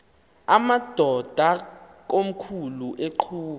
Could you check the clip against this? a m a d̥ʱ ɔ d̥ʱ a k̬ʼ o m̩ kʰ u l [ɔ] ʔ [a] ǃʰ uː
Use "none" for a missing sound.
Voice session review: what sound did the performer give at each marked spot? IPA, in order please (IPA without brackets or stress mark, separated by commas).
u, e